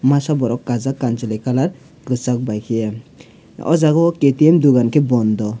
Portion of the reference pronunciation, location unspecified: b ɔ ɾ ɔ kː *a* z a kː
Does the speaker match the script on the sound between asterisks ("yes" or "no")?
yes